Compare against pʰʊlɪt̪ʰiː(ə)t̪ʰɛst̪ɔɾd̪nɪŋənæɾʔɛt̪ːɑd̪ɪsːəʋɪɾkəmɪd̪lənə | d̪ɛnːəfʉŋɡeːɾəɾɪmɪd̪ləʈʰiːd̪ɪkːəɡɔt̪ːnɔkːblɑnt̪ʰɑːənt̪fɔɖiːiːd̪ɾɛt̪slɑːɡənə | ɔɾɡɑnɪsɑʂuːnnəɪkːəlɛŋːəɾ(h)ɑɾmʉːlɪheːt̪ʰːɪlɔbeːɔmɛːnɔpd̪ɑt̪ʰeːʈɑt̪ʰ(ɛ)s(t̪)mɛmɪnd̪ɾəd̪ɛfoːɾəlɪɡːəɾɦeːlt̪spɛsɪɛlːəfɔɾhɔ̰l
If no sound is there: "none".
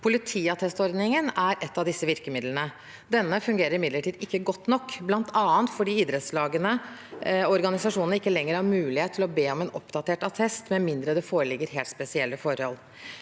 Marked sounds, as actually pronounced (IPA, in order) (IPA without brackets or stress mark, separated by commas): ɑ, h, ɛ, t̪